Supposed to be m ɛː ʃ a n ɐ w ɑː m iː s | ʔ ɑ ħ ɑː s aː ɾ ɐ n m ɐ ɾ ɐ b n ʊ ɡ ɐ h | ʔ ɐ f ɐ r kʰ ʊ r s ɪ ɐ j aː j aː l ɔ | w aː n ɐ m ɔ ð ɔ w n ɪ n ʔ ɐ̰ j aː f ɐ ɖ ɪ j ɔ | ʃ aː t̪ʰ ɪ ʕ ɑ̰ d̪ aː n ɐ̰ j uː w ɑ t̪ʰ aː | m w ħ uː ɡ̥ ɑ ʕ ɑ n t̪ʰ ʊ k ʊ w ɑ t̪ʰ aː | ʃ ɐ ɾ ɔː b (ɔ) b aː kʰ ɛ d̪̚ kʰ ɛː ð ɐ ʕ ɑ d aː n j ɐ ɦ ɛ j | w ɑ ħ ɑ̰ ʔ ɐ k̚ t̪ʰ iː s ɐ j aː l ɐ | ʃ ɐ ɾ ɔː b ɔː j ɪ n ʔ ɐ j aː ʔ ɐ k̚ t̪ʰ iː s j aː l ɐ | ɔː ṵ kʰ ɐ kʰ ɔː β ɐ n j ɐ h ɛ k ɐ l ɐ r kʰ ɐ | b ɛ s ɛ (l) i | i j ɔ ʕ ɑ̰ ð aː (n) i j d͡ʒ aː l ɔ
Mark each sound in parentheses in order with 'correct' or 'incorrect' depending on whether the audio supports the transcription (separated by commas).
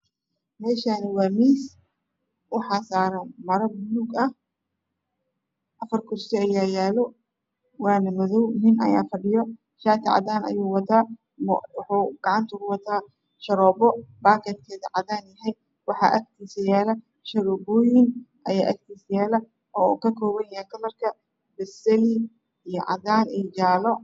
correct, correct, correct